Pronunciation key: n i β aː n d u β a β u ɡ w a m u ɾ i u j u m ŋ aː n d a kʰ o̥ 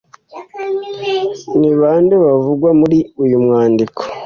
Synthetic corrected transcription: n i β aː n d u β a v u ɡ w a m u ɾ i u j u m ŋ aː n d i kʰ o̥